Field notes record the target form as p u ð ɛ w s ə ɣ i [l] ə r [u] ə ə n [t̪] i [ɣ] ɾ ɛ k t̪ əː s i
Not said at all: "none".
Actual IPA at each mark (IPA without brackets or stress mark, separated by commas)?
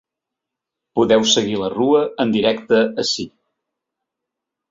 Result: l, u, d̪, none